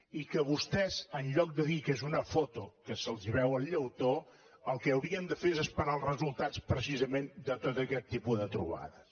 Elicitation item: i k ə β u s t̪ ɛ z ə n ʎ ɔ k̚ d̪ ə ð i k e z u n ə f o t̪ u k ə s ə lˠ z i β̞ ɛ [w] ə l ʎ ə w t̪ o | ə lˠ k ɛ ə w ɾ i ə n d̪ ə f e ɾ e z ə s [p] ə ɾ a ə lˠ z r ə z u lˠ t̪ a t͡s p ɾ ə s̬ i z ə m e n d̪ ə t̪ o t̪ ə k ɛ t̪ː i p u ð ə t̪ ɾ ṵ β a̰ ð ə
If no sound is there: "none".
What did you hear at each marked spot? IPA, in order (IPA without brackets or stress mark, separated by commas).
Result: w, p